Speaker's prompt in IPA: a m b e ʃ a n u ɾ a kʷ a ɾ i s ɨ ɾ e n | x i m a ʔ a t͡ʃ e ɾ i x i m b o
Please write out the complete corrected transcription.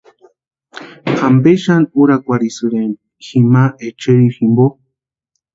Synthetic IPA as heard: a m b e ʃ a n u ɾ a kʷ a ɾ i s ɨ ɾ e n | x i m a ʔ e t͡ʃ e ɾ i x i m b o